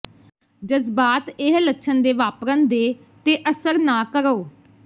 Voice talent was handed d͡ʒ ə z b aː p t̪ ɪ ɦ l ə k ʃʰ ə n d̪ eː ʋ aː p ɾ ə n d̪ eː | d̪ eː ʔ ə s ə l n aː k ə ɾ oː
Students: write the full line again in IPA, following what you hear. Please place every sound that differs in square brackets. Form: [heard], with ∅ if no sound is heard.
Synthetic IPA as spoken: d͡ʒ ə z b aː [∅] t̪ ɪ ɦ l ə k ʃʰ ə n d̪ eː ʋ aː p ɾ ə n d̪ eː | [t̪] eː ʔ ə s ə [ɾ] n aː k ə ɾ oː